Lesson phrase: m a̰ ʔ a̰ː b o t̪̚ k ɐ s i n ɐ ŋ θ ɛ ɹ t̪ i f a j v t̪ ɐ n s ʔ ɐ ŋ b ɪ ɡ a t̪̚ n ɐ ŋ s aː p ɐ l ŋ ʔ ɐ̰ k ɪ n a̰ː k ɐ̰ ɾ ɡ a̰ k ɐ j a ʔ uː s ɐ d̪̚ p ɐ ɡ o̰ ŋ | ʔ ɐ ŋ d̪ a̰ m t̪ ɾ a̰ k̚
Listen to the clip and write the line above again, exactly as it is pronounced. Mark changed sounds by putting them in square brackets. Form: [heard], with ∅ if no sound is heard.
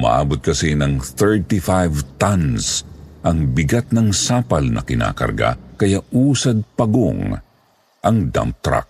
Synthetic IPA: m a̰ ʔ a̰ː b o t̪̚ k ɐ s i n ɐ ŋ θ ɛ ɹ t̪ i f a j v t̪ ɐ n s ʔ ɐ ŋ b ɪ ɡ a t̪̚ n ɐ ŋ s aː p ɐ l [n] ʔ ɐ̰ k ɪ n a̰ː k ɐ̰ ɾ ɡ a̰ k ɐ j a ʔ uː s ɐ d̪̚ p ɐ ɡ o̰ ŋ | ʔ ɐ ŋ d̪ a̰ m t̪ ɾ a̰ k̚